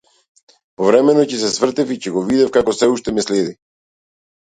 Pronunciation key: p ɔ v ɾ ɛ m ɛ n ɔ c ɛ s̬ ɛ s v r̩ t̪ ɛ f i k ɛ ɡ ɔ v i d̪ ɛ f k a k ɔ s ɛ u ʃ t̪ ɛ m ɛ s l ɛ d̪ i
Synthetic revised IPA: p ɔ v ɾ ɛ m ɛ n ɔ c ɛ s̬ ɛ s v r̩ t̪ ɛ f i c ɛ ɡ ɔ v i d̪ ɛ f k a k ɔ s ɛ u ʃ t̪ ɛ m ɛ s l ɛ d̪ i